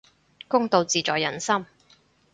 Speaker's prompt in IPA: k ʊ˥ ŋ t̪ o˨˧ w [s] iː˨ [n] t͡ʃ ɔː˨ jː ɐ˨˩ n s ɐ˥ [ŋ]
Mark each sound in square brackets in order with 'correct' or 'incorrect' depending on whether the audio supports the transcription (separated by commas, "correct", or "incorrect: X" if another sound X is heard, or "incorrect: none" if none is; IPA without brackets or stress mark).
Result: incorrect: t͡s, incorrect: none, incorrect: m